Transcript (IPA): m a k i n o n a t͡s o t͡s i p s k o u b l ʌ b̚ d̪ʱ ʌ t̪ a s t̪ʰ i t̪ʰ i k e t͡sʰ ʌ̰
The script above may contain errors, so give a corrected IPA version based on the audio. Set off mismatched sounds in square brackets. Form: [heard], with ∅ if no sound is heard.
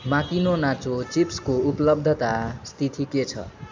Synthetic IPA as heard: m a k i n o n a t͡s o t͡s i p s k o u [p] l ʌ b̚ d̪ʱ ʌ t̪ a s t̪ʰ i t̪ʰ i k e t͡sʰ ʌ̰